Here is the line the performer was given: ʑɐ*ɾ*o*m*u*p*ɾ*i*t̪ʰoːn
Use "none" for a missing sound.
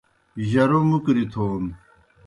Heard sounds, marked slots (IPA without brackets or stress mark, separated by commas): ɾ, m, k, i